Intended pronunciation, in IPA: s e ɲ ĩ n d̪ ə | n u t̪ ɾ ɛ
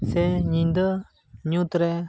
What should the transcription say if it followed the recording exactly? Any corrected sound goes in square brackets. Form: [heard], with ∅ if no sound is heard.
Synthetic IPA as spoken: s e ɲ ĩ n d̪ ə | [ɲ] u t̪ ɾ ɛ

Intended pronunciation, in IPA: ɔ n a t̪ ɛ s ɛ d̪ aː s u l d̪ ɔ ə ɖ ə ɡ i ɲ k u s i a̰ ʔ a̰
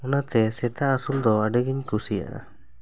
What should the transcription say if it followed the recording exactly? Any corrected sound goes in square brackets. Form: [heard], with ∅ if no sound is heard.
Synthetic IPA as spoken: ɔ n a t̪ ɛ s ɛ [t̪] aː s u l d̪ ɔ [a] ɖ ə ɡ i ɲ k u s i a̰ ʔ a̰

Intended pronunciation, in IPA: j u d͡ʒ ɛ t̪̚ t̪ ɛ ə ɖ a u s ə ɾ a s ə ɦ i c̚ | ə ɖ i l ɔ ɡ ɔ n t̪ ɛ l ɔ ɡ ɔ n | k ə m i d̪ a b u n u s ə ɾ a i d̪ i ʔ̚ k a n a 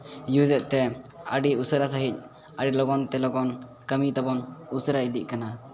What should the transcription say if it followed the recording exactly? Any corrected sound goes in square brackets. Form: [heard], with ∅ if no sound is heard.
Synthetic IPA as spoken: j u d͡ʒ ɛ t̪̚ t̪ ɛ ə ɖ [i] u s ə ɾ a s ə ɦ i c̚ | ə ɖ i l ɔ ɡ ɔ n t̪ ɛ l ɔ ɡ ɔ n | k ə m i [t̪] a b [ɔ] n u s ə ɾ a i d̪ i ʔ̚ k a n a

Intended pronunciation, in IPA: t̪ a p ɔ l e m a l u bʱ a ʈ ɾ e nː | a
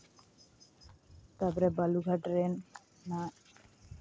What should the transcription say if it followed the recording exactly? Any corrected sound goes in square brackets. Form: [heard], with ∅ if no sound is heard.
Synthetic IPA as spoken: t̪ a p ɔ [ɾ] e [b] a l u [ɡʱ] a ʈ ɾ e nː | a

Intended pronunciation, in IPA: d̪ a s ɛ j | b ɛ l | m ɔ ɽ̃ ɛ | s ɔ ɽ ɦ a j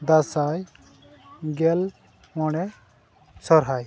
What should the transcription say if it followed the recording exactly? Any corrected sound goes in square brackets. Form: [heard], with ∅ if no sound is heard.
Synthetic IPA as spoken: d̪ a s [a] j | [ɡ] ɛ l | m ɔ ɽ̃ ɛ | s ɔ [ɾ] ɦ a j

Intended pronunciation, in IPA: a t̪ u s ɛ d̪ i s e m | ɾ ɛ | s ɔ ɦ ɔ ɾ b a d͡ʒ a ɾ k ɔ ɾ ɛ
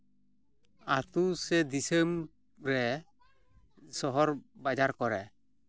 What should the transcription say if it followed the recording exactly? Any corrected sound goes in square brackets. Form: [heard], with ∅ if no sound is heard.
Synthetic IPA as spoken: a t̪ u s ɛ d̪ i s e m | ɾ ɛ | s ɔ ɦ ɔ ɾ b a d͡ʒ a ɾ k ɔ ɾ ɛ

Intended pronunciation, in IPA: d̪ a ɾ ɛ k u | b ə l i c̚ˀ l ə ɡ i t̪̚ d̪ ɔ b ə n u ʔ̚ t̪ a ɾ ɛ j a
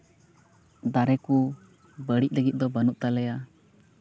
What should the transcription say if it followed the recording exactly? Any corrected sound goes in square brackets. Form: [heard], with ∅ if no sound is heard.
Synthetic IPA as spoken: d̪ a ɾ ɛ k u | b ə [ɽ] i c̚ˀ l ə ɡ i t̪̚ d̪ ɔ b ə n u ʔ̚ t̪ a [l] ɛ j a

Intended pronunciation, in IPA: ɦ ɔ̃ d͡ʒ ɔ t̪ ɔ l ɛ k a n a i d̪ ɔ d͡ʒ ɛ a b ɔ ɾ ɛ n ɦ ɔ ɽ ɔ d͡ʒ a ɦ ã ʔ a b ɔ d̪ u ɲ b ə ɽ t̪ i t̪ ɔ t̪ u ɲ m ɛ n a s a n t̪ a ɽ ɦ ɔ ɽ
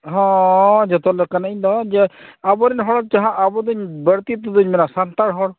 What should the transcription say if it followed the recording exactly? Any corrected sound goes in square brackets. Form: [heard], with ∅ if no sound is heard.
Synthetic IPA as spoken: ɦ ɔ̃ d͡ʒ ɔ t̪ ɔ l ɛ k a n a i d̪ ɔ d͡ʒ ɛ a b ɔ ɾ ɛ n ɦ ɔ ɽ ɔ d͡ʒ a ɦ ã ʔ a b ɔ d̪ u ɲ b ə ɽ t̪ i t̪ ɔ [d̪] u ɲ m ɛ n a s a n t̪ a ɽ ɦ ɔ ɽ

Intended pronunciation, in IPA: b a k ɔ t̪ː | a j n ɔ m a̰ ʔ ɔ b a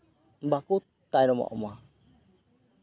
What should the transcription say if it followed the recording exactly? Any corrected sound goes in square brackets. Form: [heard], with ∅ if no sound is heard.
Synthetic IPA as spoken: b a k [u] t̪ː | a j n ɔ m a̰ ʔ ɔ [m] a

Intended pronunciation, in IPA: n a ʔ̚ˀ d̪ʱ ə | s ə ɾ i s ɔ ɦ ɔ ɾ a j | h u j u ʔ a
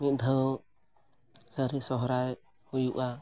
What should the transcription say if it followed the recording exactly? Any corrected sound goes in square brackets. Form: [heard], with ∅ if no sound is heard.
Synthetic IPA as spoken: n [i] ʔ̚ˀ d̪ʱ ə | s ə ɾ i s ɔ ɦ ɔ ɾ a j | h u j u ʔ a

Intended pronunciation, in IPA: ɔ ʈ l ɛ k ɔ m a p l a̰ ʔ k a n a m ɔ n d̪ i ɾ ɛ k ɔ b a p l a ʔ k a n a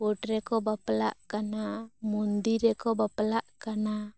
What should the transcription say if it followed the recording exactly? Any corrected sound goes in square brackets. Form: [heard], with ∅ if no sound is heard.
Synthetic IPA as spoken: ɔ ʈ [ɾ] ɛ k ɔ [b] a p l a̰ ʔ k a n a m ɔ n d̪ i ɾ ɛ k ɔ b a p l a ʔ k a n a

